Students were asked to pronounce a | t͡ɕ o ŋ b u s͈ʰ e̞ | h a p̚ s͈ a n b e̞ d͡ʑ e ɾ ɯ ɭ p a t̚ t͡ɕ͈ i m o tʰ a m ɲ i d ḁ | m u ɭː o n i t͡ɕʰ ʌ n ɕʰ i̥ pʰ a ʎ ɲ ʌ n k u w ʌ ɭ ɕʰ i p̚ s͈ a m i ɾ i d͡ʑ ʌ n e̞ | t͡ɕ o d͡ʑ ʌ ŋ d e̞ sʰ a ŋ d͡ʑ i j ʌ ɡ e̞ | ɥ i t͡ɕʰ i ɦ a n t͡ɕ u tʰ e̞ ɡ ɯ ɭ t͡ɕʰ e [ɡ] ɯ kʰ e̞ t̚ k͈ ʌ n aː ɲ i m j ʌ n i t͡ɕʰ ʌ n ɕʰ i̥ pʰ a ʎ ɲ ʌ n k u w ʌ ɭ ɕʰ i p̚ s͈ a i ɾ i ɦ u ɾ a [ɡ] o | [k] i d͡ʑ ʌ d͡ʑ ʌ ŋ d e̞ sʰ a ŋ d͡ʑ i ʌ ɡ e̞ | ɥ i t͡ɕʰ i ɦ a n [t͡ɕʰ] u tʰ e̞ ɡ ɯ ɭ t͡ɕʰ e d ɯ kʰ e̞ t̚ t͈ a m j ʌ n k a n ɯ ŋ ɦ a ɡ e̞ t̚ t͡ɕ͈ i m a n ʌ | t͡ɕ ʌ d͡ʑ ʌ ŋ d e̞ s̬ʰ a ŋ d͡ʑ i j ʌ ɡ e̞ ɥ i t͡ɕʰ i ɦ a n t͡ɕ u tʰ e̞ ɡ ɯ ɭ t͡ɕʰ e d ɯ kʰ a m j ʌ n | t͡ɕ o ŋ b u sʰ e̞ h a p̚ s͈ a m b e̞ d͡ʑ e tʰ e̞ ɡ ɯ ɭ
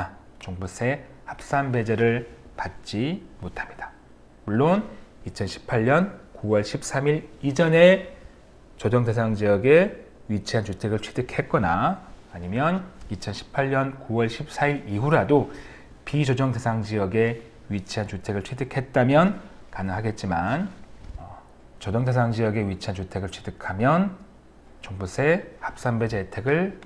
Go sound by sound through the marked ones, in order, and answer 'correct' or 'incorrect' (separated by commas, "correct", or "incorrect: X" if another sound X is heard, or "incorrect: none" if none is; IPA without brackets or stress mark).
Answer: incorrect: d, incorrect: d, incorrect: p, incorrect: t͡ɕ